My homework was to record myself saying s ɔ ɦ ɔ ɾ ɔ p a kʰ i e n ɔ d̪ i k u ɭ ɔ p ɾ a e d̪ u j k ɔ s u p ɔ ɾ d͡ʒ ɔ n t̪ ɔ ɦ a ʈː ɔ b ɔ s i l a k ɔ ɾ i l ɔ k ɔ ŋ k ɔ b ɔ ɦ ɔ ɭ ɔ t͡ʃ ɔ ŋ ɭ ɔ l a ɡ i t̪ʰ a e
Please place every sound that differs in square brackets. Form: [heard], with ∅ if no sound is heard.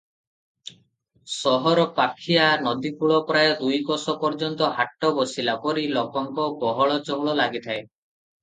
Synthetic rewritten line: s ɔ ɦ ɔ ɾ ɔ p a kʰ i [a] n ɔ d̪ i k u ɭ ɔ p ɾ a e d̪ u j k ɔ s [ɔ] p ɔ ɾ d͡ʒ ɔ n t̪ ɔ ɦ a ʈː ɔ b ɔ s i l a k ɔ ɾ i l ɔ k ɔ ŋ k ɔ b ɔ ɦ ɔ ɭ ɔ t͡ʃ ɔ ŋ ɭ ɔ l a ɡ i t̪ʰ a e